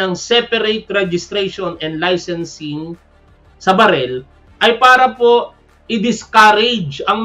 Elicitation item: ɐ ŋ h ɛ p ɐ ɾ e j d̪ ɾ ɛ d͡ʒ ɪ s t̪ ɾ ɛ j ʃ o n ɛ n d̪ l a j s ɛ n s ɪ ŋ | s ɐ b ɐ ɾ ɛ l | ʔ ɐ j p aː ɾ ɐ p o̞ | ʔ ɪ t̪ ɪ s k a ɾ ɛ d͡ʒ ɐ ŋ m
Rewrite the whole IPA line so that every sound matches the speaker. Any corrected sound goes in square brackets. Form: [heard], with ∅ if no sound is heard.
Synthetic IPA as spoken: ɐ ŋ [s] ɛ p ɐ ɾ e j [t̪] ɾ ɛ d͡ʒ ɪ s t̪ ɾ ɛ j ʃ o n ɛ n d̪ l a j s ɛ n s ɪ ŋ | s ɐ b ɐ ɾ ɛ l | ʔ ɐ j p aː ɾ ɐ p o̞ | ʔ ɪ [d̪] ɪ s k a ɾ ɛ d͡ʒ ɐ ŋ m